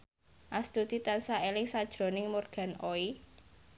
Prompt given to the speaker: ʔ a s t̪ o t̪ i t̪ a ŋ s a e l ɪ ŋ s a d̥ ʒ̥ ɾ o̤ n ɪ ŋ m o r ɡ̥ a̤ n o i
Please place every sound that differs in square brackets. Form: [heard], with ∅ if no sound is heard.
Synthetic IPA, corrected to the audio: ʔ a s t̪ [u] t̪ i t̪ a [n] s a e l ɪ ŋ s a d̥ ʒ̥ ɾ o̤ n ɪ ŋ m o r ɡ̥ a̤ n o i